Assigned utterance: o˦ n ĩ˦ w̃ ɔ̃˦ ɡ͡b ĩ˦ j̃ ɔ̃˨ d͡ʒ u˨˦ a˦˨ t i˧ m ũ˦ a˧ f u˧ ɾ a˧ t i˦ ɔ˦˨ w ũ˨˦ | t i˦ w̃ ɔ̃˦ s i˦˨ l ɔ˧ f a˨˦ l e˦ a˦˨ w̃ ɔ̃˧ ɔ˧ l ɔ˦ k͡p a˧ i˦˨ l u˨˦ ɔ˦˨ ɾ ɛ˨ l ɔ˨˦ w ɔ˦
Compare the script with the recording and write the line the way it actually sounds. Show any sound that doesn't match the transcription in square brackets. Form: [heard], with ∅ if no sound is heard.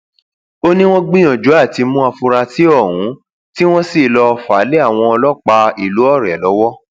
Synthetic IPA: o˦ n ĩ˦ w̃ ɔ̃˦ ɡ͡b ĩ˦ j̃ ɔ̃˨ d͡ʒ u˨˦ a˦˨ t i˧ m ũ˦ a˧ f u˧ ɾ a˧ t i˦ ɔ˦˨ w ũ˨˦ | t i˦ w̃ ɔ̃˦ s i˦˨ l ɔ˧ f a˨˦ l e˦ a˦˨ w̃ ɔ̃˧ ɔ˧ l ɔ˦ k͡p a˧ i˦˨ l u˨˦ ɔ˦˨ ɾ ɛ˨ l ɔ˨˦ w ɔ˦